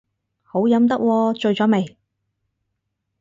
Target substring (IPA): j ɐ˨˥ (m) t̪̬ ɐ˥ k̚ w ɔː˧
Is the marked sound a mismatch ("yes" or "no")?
no